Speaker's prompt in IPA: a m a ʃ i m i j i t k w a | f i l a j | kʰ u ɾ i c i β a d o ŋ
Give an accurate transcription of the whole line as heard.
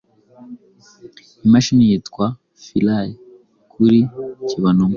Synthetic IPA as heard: i m a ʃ i n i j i t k w a | f i l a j | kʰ u ɾ i c i β a n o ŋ